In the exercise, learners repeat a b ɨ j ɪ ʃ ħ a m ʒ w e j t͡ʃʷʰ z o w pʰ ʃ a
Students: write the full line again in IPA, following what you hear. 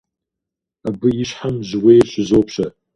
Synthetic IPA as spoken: a b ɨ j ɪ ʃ ħ a m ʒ w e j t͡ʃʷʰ z o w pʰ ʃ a